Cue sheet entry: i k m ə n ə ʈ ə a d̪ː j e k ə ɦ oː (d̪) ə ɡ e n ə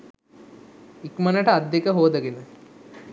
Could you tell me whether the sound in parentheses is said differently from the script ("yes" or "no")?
no